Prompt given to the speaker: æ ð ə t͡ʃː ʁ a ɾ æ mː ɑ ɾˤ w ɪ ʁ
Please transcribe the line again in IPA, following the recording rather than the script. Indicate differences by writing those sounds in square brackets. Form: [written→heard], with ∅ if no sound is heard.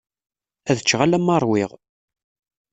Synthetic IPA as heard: æ ð ə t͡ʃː ʁ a [ɾ→l] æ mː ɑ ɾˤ w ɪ ʁ